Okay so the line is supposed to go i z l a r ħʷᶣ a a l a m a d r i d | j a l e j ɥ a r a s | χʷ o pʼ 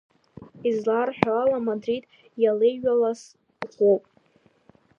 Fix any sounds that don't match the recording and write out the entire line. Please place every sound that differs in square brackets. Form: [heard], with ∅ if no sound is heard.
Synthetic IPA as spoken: i z l a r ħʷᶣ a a l a m a d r i d | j a l e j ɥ a [l] a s | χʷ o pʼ